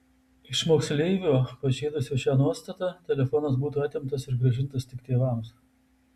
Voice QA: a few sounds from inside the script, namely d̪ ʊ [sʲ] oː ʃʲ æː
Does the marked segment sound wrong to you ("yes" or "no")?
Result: no